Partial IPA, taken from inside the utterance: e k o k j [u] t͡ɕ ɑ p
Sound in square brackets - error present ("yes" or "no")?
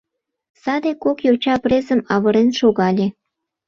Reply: yes